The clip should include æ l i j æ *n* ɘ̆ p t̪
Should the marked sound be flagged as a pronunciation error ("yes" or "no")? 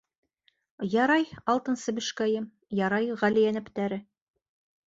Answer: no